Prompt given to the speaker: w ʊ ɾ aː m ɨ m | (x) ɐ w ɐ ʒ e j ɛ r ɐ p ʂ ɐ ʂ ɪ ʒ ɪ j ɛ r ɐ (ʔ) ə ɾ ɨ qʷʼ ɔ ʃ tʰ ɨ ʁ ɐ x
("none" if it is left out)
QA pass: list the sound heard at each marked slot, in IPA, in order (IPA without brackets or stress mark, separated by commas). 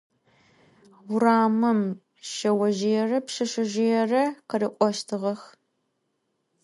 ʃ, q